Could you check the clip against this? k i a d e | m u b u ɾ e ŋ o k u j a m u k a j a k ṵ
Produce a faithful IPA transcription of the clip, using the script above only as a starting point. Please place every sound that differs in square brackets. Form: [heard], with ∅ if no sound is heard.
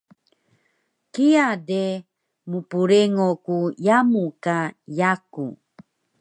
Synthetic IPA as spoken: k i a d e | m u [p] u ɾ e ŋ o k u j a m u k a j a k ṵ